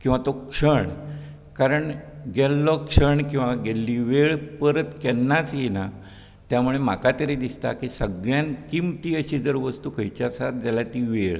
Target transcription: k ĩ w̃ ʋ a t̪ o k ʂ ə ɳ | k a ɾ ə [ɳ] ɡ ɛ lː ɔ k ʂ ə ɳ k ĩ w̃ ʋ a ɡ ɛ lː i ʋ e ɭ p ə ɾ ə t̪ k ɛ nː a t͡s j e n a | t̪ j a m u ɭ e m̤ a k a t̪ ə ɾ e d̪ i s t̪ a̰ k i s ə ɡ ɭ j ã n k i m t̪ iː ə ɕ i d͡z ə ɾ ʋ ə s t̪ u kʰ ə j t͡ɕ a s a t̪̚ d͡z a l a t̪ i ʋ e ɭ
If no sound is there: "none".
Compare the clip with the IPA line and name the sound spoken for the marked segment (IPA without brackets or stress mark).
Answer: ɳ